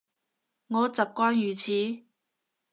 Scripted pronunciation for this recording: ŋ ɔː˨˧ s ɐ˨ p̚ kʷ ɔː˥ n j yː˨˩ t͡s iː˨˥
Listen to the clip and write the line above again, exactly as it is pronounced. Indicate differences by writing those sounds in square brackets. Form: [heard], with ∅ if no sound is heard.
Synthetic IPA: ŋ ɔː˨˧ [t͡s] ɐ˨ p̚ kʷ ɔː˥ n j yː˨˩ [t͡sʰ] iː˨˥